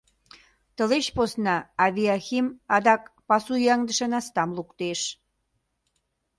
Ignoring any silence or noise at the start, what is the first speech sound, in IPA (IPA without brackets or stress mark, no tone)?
t̪